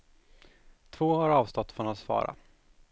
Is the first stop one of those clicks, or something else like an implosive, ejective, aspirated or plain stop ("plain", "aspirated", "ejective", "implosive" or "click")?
aspirated